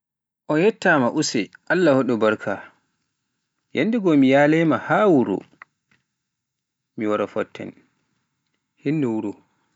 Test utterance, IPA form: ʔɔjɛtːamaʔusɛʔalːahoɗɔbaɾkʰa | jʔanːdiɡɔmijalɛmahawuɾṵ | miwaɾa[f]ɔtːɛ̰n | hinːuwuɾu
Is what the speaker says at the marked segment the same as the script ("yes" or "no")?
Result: yes